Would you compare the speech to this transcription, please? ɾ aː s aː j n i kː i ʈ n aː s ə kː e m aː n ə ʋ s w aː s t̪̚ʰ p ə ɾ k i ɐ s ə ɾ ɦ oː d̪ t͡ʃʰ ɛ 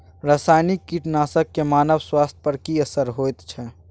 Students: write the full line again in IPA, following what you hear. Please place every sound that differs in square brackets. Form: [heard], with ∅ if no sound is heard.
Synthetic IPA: ɾ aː s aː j n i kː i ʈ n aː s ə kː e m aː n ə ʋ s w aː s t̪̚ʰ p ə ɾ k i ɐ s ə ɾ ɦ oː [t̪] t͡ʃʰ ɛ

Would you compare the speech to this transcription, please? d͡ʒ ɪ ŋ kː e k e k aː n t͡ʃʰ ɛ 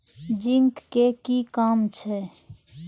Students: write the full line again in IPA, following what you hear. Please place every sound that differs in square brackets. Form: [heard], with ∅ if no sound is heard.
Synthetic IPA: d͡ʒ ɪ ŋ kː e k [i] k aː [m] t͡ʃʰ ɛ

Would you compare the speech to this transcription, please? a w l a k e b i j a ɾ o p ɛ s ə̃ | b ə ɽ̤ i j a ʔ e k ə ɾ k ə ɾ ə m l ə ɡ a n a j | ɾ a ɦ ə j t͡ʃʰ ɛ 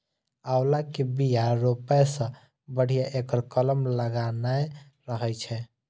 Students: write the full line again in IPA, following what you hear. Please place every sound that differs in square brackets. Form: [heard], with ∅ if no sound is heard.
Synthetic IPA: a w l a k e b i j a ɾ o p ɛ s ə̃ | b ə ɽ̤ i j a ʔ e k ə ɾ k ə [l] ə m l ə ɡ a n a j | ɾ [ə] ɦ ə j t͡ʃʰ ɛ

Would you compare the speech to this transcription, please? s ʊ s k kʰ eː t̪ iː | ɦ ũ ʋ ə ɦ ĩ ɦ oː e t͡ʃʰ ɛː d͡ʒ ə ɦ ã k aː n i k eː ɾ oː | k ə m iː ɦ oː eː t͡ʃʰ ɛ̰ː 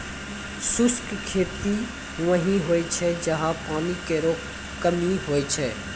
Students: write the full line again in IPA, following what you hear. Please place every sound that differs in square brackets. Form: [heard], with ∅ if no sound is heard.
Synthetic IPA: s ʊ s k kʰ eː t̪ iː | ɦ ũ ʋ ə ɦ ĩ ɦ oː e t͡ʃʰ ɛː d͡ʒ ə ɦ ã [p] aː n i k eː ɾ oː | k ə m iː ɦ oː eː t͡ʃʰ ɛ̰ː

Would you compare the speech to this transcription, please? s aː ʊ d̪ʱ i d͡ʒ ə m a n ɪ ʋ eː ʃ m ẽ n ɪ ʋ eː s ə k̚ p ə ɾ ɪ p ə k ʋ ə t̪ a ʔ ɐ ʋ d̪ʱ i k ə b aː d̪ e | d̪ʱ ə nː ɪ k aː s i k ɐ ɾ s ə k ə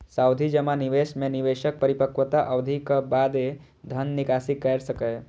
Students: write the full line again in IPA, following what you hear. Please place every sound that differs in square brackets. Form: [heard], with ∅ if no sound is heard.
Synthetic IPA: s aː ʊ d̪ʱ i d͡ʒ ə m a n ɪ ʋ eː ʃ m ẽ n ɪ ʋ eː [ʃ] ə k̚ p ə ɾ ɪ p ə k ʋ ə t̪ a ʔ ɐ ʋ d̪ʱ i k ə b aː d̪ e | d̪ʱ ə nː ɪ k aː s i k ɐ ɾ s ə k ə

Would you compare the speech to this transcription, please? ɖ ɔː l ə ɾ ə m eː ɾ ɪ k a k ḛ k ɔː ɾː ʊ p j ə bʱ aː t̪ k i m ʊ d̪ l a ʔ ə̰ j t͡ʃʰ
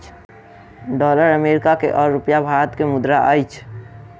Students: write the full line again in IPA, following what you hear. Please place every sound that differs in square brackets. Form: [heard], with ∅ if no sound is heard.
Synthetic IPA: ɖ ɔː l ə ɾ ə m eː ɾ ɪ k a k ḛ [ʔ] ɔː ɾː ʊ p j [a] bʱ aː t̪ k [e] m ʊ d̪ [ɾ] a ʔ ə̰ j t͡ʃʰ

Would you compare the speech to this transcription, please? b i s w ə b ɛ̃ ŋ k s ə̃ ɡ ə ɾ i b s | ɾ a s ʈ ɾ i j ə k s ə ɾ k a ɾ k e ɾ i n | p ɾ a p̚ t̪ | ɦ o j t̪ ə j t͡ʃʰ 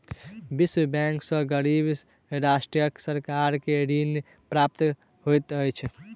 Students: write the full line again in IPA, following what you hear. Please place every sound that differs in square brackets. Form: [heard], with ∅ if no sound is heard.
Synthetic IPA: b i s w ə b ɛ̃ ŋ k s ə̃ ɡ ə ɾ i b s | ɾ a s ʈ ɾ i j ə k s ə ɾ k a ɾ k e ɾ i n | p ɾ a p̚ t̪ | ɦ o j t̪ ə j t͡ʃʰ

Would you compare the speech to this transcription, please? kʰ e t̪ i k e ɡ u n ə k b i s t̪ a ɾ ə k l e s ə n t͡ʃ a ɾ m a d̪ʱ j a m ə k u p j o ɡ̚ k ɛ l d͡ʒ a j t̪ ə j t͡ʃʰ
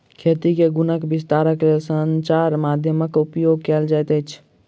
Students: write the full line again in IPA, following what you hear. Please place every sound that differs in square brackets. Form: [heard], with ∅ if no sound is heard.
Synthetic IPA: kʰ e t̪ i k e ɡ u n ə k b i s t̪ a ɾ ə k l e s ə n t͡ʃ a ɾ m a d̪ʱ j [ə] m ə k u p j o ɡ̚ k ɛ l d͡ʒ a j t̪ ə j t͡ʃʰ

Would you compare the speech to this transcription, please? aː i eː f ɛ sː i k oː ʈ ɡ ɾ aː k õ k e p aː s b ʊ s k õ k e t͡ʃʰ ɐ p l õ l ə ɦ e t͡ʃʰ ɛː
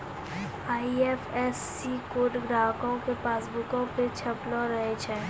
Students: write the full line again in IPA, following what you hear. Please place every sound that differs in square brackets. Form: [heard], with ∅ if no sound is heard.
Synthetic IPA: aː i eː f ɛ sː i k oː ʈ ɡ ɾ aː k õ k e p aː s b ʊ [∅] k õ [p] e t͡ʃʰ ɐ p l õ [ɾ] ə ɦ e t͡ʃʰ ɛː

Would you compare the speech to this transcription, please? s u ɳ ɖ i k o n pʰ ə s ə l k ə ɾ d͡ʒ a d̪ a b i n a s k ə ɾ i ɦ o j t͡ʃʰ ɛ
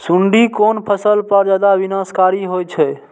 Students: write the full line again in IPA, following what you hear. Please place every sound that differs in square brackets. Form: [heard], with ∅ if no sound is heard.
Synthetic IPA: s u ɳ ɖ i k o n pʰ ə s ə l [p] ə ɾ d͡ʒ a d̪ a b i n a s k [a] ɾ i ɦ o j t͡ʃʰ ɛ

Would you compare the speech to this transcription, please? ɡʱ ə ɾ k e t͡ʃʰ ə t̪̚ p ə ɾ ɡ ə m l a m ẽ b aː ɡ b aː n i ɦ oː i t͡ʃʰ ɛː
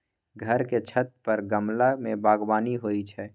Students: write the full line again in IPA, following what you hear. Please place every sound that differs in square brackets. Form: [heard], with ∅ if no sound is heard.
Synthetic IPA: ɡʱ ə ɾ k e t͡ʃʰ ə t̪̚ p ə ɾ ɡ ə m l a m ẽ b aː ɡ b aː n i ɦ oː i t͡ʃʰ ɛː

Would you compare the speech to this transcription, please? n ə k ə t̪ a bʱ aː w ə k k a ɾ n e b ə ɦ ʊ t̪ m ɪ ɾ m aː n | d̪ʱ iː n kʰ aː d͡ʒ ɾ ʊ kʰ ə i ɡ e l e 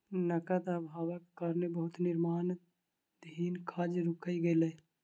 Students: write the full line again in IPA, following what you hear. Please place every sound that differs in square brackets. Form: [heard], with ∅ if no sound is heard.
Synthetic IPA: n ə k ə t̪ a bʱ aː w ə k k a ɾ n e b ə ɦ ʊ t̪ [n] ɪ ɾ m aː n | d̪ʱ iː n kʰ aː d͡ʒ ɾ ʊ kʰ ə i ɡ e l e

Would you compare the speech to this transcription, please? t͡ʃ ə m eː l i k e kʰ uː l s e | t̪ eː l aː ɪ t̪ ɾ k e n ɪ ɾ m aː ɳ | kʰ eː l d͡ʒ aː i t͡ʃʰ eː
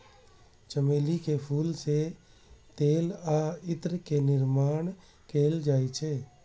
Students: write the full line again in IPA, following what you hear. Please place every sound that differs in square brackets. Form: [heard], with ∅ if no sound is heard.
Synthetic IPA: t͡ʃ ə m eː l i k e [pʰ] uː l s e | t̪ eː l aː ɪ t̪ ɾ k e n ɪ ɾ m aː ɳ | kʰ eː l d͡ʒ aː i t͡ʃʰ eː

